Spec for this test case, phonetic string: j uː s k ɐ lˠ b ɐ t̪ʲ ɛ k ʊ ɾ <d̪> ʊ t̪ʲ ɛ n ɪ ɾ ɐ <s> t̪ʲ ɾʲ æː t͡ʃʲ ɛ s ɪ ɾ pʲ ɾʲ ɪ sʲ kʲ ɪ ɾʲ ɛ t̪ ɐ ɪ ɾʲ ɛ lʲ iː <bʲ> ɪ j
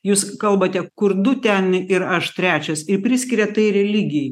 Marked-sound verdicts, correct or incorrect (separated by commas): correct, incorrect, incorrect